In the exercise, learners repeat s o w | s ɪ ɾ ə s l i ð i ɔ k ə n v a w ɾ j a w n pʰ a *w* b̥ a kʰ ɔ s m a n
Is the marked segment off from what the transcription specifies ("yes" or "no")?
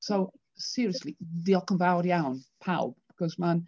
no